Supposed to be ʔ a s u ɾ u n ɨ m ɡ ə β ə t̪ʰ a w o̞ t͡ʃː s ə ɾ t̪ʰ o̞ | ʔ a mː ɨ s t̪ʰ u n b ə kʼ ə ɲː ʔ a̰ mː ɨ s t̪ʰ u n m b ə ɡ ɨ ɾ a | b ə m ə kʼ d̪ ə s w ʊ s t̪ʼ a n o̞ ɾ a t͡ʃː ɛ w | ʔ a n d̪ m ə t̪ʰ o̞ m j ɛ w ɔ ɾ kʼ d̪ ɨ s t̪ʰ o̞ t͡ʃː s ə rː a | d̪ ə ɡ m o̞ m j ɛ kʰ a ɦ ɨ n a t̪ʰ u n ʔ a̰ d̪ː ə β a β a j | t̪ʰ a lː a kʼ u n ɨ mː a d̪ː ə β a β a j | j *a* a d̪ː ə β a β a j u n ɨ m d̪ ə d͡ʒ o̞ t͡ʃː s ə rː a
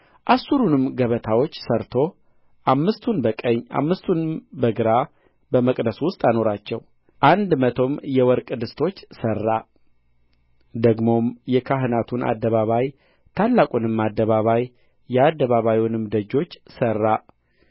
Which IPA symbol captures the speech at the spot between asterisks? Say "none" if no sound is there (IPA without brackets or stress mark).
ɛ